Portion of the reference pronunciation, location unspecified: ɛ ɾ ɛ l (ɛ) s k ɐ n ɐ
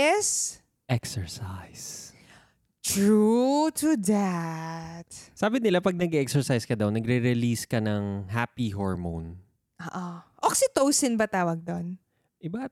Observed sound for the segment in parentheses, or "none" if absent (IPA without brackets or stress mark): i